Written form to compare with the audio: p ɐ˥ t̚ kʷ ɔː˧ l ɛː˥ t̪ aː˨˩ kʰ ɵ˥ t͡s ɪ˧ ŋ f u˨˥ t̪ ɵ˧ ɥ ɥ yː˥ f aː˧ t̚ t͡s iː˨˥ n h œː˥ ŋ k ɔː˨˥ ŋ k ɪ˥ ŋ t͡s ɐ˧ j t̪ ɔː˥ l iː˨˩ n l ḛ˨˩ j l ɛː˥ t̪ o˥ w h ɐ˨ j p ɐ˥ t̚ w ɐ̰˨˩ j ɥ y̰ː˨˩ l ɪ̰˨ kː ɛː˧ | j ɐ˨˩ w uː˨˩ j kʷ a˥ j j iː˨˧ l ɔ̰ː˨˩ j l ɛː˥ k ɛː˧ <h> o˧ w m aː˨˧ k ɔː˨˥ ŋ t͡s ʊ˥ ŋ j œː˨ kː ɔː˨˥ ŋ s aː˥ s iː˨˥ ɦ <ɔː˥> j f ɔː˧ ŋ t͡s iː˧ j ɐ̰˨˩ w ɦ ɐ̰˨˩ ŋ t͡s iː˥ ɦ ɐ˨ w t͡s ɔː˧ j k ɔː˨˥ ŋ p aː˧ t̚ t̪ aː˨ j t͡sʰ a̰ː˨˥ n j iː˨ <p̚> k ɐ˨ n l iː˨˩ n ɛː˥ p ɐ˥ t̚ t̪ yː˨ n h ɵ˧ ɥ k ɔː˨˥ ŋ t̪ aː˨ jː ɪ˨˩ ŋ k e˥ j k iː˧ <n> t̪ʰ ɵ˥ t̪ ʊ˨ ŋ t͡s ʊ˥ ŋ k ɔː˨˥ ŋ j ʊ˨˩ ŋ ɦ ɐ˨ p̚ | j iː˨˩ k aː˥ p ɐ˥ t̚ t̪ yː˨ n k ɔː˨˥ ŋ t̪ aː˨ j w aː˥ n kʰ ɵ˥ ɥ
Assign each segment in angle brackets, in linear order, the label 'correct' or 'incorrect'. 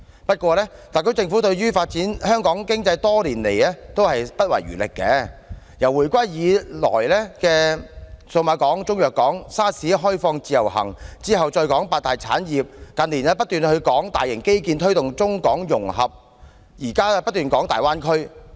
incorrect, correct, correct, correct

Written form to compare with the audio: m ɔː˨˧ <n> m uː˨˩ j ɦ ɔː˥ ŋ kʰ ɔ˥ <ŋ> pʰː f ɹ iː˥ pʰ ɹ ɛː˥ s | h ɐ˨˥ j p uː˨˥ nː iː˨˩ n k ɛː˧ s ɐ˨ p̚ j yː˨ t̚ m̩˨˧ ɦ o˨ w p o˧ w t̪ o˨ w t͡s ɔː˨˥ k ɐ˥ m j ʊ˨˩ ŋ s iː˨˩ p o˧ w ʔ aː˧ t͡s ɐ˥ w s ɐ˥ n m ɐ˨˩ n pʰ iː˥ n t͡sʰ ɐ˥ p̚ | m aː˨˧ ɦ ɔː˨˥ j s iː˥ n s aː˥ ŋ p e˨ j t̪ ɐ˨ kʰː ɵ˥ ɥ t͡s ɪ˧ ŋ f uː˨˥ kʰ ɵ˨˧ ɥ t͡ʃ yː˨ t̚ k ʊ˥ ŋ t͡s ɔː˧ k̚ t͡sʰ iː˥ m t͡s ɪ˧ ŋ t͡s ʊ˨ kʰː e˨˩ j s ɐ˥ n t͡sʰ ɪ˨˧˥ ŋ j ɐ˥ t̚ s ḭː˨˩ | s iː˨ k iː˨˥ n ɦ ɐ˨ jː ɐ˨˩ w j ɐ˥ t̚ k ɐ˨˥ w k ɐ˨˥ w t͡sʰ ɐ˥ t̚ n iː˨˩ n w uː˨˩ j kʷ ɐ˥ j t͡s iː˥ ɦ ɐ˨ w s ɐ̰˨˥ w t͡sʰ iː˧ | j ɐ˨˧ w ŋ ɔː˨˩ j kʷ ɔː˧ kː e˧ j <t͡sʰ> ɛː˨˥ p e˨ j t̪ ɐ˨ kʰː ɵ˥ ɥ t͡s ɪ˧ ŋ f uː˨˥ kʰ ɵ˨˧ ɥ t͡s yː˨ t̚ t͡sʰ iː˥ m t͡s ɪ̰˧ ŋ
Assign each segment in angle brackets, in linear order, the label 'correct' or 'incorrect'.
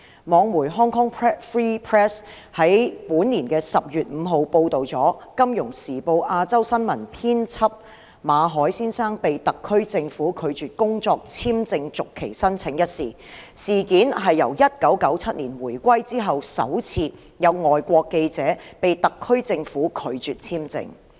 incorrect, correct, incorrect

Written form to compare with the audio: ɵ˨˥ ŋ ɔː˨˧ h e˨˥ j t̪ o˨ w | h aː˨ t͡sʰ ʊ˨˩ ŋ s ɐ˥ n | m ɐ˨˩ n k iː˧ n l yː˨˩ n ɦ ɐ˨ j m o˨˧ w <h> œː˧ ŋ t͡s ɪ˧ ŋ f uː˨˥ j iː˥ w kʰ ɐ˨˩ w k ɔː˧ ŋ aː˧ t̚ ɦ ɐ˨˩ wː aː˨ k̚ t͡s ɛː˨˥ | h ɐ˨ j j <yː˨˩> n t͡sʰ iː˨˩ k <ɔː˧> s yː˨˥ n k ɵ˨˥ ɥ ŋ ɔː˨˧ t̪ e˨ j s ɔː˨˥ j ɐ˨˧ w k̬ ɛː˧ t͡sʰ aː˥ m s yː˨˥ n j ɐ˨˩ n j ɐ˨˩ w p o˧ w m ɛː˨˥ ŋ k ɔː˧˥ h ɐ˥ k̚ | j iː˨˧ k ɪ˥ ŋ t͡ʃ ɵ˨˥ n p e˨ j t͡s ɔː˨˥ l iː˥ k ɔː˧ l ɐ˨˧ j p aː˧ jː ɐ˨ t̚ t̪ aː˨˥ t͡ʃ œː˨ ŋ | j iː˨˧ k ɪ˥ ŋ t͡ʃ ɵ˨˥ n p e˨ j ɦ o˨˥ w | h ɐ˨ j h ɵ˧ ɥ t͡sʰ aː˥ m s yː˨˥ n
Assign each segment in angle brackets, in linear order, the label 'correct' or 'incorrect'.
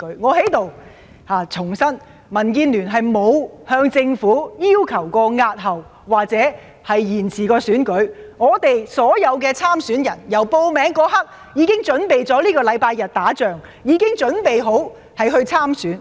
correct, incorrect, correct

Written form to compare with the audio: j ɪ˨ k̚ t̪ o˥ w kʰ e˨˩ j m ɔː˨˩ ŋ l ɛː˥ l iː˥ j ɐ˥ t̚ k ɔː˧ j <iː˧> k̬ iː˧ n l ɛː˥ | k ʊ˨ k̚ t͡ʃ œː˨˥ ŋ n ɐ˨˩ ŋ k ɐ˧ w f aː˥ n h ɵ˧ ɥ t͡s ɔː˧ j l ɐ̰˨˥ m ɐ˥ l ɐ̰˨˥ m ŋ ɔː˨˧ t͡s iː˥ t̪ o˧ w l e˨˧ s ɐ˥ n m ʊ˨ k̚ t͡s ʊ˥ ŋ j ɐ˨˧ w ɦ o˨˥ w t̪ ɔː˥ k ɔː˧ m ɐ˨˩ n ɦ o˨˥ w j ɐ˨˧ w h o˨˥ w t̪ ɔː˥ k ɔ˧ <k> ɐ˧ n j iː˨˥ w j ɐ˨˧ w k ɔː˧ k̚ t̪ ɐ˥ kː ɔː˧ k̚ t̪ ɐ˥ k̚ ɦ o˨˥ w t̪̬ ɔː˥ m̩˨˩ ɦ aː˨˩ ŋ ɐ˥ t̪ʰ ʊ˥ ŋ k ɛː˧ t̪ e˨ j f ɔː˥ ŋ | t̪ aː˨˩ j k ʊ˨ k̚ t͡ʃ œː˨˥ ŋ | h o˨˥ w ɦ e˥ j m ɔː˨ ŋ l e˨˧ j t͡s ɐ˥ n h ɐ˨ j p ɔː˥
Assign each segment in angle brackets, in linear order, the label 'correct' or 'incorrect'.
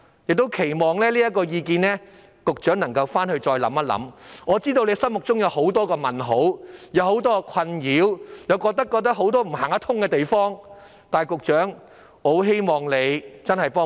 correct, incorrect

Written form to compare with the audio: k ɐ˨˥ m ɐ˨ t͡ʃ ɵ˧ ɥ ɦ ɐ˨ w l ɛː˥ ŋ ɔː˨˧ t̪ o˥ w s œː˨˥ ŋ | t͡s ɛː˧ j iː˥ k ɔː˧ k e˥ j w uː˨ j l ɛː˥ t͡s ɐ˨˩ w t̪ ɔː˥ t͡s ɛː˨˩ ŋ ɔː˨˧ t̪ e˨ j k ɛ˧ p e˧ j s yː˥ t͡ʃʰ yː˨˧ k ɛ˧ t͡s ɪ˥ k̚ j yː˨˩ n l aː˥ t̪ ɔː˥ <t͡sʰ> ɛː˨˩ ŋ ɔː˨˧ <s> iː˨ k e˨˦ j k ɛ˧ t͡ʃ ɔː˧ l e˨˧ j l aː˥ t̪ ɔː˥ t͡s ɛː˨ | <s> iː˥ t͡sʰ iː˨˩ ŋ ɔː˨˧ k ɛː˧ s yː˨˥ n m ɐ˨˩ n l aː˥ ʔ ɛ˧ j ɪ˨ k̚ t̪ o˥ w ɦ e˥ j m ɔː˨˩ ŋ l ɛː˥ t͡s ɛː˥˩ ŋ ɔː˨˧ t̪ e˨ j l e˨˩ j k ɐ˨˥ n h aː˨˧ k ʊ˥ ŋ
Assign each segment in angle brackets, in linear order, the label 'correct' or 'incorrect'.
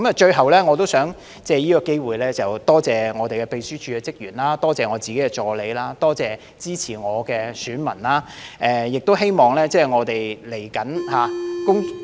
incorrect, incorrect, incorrect

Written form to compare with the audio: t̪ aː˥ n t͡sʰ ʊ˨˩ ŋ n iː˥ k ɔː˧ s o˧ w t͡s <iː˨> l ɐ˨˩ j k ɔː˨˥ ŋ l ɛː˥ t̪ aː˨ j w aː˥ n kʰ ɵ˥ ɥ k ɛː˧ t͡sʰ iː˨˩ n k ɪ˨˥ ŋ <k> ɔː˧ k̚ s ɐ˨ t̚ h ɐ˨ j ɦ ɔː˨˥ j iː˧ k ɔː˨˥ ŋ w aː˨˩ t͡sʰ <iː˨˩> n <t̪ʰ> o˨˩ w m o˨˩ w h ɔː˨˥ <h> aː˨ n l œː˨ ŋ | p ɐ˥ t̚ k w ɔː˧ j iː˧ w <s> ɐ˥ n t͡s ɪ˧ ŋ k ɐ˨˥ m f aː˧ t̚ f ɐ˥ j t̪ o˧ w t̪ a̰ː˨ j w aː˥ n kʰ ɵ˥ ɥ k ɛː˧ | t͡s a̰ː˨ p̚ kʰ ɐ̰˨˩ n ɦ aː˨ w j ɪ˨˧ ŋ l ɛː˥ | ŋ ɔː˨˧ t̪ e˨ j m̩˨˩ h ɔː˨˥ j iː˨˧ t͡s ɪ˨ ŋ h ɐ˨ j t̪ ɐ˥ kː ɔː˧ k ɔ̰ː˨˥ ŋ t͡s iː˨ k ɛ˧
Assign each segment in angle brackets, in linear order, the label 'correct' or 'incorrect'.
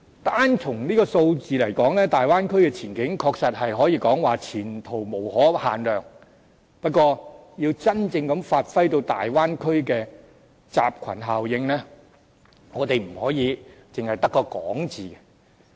correct, incorrect, correct, correct, correct, incorrect

